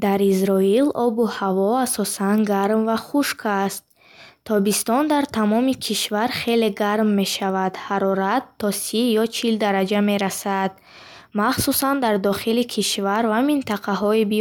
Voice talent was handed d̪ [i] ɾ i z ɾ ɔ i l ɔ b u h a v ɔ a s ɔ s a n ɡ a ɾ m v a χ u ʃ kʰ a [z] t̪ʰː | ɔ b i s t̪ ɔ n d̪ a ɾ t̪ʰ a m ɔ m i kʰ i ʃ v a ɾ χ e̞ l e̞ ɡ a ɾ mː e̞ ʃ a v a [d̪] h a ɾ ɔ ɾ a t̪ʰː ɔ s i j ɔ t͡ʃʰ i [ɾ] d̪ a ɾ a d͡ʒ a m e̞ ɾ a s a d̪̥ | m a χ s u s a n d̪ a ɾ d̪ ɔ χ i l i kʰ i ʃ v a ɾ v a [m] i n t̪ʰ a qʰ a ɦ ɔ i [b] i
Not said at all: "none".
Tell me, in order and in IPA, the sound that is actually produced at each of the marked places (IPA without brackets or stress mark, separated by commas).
a, s, d̪, l, m, b